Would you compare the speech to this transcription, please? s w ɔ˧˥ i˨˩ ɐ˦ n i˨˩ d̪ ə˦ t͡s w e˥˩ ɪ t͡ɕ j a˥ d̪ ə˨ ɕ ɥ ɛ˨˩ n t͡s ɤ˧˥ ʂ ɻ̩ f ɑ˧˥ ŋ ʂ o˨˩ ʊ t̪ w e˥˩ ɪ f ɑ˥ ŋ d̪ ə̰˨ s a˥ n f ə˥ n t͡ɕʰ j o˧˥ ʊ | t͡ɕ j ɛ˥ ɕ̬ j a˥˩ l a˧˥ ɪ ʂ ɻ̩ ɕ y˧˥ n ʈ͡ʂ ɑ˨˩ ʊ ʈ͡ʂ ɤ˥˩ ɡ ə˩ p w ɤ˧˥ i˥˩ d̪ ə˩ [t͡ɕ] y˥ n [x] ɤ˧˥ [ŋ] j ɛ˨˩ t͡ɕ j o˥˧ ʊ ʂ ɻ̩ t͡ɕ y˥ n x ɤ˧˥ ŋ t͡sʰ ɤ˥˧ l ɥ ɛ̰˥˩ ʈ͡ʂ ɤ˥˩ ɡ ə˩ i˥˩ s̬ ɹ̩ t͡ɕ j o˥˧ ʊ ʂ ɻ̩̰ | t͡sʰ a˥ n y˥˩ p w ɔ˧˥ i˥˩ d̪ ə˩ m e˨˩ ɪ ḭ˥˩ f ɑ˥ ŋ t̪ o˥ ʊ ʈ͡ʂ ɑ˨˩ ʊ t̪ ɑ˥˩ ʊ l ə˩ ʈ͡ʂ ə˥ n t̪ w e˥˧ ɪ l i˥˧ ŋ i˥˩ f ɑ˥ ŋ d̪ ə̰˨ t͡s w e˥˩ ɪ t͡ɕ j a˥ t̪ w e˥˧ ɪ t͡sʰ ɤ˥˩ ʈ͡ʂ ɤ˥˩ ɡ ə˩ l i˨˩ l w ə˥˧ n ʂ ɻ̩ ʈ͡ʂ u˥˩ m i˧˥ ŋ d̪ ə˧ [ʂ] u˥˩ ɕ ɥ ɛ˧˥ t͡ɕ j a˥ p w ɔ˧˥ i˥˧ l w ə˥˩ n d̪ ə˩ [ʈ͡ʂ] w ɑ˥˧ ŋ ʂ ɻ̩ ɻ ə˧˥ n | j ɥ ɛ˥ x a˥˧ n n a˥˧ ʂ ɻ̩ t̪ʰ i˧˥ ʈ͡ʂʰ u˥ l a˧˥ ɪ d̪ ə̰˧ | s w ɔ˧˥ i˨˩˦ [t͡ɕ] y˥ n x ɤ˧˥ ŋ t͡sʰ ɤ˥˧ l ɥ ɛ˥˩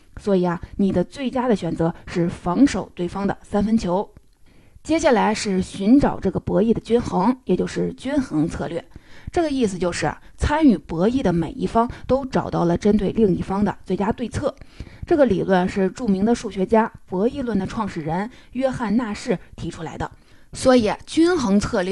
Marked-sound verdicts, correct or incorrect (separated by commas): correct, correct, correct, correct, incorrect, correct